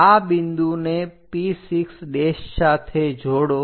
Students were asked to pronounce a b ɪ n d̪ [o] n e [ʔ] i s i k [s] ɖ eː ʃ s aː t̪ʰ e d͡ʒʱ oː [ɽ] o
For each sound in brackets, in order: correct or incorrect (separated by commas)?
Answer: incorrect, incorrect, correct, correct